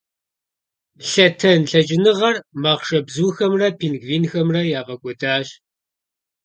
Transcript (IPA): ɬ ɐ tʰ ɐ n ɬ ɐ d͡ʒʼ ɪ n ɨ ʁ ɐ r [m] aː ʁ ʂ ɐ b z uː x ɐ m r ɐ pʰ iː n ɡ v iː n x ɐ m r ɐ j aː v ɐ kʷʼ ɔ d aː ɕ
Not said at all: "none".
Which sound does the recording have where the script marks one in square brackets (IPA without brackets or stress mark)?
m